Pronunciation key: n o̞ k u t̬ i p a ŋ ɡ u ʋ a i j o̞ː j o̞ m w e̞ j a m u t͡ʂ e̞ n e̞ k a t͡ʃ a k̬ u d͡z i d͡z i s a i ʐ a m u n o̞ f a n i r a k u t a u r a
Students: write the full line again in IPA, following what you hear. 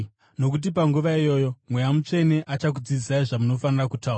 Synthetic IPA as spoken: n o̞ k u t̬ i p a ŋ ɡ u ʋ a i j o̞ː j o̞ m w e̞ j a m u t͡ʂ e̞ n e̞ ʔ a t͡ʃ a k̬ u d͡z i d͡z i s a i ʐ a m u n o̞ f a n i r a k u t a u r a